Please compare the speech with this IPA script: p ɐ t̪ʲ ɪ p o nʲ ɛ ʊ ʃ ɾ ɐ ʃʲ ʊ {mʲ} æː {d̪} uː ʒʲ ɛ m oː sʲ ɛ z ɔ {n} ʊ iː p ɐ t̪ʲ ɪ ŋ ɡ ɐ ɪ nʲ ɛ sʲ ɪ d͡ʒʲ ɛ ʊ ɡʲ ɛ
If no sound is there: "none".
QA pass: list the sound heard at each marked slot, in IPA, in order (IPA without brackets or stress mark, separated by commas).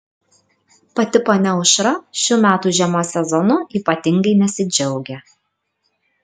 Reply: mʲ, t̪, n